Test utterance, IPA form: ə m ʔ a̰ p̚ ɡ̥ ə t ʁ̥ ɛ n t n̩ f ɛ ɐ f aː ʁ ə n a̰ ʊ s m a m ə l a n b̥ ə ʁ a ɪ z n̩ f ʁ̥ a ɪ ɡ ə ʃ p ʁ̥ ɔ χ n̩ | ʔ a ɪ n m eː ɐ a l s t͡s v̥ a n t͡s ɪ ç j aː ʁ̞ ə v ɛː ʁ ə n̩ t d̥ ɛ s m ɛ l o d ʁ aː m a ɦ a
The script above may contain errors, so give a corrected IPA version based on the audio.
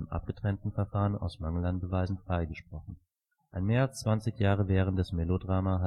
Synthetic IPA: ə m ʔ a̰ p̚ ɡ̥ ə t ʁ̥ ɛ n t n̩ f ɛ ɐ f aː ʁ ə n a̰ ʊ s m a ŋ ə l a n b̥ ə v a ɪ z n̩ f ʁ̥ a ɪ ɡ ə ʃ p ʁ̥ ɔ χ n̩ | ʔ a ɪ n m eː ɐ a l s t͡s v̥ a n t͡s ɪ ç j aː ʁ̞ ə v ɛː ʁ ə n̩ t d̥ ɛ s m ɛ l o d ʁ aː m a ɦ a